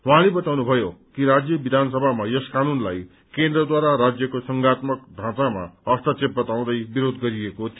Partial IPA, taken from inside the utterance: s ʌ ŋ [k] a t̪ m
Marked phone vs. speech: incorrect: ɡ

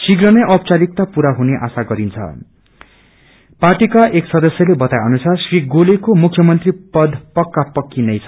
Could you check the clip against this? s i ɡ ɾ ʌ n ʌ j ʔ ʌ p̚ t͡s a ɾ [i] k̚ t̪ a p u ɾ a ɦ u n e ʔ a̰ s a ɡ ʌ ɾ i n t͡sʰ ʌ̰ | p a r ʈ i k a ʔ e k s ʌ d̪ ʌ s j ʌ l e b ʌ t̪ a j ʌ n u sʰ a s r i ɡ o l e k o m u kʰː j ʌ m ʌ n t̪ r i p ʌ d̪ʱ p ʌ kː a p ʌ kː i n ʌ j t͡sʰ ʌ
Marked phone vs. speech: correct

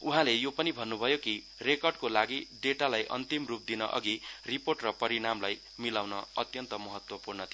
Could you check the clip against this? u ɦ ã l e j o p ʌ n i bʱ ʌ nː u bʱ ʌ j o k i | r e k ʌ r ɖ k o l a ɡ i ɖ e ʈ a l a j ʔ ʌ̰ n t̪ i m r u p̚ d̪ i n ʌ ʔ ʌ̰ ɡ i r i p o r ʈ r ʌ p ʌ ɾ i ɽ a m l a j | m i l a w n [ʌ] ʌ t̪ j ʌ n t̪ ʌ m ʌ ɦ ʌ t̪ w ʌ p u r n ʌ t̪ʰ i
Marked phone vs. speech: correct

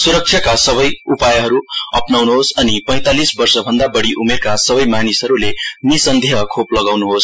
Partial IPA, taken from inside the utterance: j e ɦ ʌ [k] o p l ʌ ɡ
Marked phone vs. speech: incorrect: kʰ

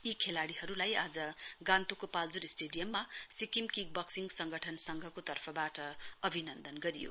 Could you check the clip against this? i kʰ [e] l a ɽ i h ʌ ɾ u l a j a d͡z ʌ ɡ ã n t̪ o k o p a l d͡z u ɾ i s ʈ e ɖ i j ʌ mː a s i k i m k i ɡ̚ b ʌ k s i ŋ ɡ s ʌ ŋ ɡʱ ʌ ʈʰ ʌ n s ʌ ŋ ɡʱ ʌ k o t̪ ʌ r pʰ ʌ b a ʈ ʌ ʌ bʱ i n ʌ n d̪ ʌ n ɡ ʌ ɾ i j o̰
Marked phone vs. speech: correct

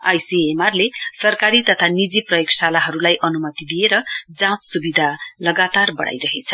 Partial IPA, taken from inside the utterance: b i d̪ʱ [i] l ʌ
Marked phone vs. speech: incorrect: a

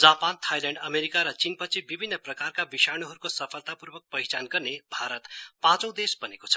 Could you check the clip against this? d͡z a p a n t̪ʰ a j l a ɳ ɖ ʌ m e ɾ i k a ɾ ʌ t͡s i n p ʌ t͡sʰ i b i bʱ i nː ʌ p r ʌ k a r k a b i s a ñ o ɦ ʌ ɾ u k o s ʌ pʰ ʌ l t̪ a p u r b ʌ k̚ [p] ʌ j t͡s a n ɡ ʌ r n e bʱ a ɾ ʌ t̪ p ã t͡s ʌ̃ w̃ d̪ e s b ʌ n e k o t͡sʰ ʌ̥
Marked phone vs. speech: correct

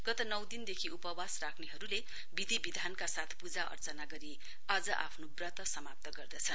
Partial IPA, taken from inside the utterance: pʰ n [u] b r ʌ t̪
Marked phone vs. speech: incorrect: o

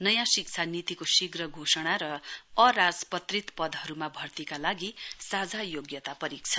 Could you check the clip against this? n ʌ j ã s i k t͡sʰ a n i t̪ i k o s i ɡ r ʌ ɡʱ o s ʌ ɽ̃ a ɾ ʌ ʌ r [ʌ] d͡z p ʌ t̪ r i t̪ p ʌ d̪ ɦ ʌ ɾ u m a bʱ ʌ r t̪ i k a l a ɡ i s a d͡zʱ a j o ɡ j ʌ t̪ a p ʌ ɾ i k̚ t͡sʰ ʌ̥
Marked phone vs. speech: incorrect: a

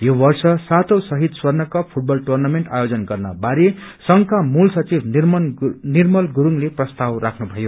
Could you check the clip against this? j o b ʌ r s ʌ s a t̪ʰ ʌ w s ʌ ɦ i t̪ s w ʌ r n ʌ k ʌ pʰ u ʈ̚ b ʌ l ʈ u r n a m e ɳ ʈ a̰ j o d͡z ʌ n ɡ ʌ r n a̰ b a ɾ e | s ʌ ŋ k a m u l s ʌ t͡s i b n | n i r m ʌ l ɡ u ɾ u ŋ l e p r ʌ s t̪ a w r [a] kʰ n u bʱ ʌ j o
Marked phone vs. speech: correct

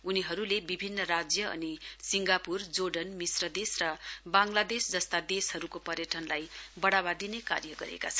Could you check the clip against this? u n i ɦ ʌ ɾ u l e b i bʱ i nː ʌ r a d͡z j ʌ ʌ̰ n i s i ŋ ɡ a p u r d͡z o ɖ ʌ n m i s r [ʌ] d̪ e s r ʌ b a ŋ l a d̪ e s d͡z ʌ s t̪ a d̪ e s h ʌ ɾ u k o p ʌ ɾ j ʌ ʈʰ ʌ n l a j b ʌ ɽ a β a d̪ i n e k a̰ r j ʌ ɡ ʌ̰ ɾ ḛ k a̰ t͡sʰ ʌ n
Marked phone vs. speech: correct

